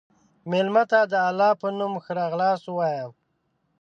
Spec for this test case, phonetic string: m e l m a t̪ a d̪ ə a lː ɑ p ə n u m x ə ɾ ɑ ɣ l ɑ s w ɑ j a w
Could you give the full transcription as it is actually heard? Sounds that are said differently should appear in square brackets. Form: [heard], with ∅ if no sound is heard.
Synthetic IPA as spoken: m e l m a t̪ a d̪ ə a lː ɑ p ə n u m x ə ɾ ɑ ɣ l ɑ s w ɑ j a w

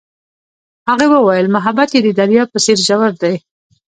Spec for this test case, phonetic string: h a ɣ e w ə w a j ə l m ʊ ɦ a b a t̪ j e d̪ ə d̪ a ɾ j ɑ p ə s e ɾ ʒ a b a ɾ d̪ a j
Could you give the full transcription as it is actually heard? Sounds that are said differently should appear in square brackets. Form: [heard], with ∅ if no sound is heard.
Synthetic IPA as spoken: h a ɣ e w ə w a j ə l m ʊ ɦ a b a t̪ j e d̪ ə d̪ a ɾ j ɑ p ə s e ɾ ʒ a [w] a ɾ d̪ a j

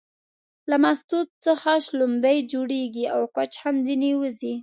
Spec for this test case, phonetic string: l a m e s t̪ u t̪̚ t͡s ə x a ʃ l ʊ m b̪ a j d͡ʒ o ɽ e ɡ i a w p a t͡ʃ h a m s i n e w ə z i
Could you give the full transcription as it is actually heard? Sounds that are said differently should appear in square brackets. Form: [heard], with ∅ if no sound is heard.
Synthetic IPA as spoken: l a m [a] s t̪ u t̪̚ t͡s ə x a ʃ l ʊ m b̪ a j d͡ʒ o ɽ e ɡ i a w [k] a t͡ʃ h a m [z] i n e w ə z i

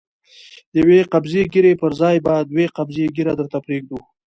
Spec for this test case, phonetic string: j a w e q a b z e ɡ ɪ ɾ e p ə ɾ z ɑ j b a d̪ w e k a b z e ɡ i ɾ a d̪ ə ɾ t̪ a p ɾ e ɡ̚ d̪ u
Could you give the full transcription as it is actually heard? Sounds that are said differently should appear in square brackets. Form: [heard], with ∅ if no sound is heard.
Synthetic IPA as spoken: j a w e q a b z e ɡ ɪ ɾ e p ə ɾ z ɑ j b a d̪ w e [q] a b z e ɡ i ɾ a d̪ ə ɾ t̪ a p ɾ e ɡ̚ d̪ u

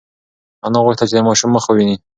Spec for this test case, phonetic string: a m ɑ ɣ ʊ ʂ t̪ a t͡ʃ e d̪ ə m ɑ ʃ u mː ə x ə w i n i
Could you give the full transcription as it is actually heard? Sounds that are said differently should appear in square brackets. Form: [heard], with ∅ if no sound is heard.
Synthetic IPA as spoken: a [n] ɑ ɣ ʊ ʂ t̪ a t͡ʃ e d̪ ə m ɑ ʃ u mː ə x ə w i n i

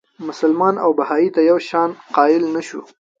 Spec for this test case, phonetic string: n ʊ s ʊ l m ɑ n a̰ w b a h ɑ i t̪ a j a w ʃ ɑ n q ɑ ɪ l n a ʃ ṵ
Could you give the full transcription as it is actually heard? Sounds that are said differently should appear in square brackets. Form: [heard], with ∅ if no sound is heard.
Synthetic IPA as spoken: [m] ʊ s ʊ l m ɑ n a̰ w b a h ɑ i t̪ a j a w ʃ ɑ n q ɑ ɪ l n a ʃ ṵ

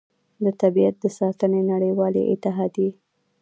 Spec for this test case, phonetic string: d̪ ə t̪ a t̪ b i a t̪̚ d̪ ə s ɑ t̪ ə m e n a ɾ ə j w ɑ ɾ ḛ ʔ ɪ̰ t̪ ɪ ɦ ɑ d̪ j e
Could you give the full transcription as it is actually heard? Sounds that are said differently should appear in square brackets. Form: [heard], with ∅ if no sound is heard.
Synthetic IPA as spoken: d̪ ə t̪ a [∅] b i a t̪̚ d̪ ə s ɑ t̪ ə [n] e n a [ɽ] ə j w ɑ [l] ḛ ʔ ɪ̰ t̪ ɪ ɦ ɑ d̪ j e

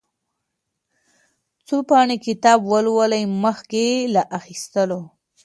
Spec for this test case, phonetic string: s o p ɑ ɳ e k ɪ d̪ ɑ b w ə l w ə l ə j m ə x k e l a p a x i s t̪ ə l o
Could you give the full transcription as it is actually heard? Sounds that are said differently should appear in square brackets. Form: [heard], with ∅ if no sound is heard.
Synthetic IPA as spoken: [t͡s] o p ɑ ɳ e k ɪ [t̪] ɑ b w ə l w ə l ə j m ə x k e l a [ʔ] a x i s t̪ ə l o

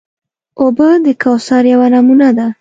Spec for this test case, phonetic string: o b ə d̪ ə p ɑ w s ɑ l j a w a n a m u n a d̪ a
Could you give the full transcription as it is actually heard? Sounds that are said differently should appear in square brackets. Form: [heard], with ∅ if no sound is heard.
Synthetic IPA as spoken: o b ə d̪ ə [k] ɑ w s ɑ [ɾ] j a w a n a m u n a d̪ a

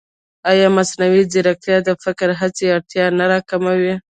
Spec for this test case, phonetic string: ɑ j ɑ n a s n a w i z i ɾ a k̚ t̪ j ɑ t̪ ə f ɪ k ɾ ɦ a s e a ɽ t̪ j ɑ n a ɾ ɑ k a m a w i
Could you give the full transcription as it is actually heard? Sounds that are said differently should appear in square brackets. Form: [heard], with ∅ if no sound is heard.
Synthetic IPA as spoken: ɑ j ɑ [m] a s n a w i z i ɾ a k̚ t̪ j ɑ [d̪] ə f ɪ k ɾ ɦ a [t͡s] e a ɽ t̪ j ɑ n a ɾ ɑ k a m a w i

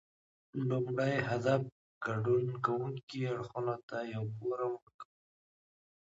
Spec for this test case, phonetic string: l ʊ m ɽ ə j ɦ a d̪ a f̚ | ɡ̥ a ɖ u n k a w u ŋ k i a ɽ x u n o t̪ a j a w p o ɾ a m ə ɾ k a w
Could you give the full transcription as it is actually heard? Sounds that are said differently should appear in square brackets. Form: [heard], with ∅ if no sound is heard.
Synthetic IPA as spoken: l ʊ m ɽ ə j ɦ a d̪ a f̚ | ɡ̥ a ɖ u n k a w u ŋ k i a ɽ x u n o t̪ a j a w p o ɾ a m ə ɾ k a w

